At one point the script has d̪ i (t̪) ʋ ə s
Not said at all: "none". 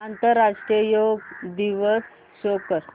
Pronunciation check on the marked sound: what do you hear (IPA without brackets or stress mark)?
none